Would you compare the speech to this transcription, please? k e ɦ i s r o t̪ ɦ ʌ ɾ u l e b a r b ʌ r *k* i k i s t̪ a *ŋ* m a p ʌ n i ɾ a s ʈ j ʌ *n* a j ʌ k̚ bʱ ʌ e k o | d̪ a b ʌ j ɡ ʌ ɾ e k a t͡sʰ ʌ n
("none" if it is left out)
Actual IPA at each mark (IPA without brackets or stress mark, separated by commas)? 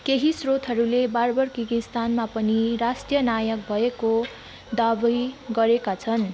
k, n, n